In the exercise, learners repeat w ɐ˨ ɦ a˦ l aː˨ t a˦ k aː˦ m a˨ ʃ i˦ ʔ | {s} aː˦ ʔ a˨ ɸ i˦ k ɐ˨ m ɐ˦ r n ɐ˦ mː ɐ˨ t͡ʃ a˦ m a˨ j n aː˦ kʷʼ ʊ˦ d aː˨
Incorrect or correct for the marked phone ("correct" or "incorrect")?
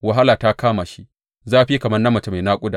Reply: incorrect